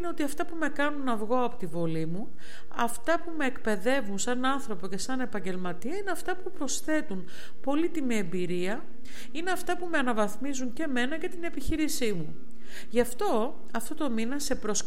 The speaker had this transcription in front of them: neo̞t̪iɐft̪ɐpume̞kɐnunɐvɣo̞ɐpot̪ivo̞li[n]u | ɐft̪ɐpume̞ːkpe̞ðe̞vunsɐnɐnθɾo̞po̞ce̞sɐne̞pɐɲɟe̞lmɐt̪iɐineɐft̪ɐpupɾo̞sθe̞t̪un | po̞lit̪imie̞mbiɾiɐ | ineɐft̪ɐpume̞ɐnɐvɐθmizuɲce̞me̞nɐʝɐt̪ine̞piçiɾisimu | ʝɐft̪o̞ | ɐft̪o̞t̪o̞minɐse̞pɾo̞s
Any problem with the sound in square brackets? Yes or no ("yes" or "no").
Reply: yes